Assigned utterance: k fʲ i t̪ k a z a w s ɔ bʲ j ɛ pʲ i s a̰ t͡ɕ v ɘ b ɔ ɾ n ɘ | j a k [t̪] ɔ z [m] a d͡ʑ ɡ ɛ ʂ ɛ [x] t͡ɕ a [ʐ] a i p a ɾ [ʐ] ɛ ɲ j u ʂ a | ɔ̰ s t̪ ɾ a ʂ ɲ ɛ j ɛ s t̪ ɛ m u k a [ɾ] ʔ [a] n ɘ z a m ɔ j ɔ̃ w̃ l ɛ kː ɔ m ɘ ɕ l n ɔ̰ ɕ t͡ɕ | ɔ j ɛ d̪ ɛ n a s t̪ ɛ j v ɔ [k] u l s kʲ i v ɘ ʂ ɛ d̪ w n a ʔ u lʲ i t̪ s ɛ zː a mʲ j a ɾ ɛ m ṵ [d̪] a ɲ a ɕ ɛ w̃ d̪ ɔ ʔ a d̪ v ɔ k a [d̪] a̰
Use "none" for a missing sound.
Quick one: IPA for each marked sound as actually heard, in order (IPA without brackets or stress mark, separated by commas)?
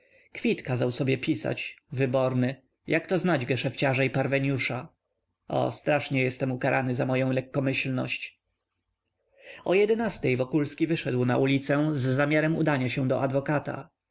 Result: t̪, n, f, ʐ, v, ɾ, a, k, d̪, t̪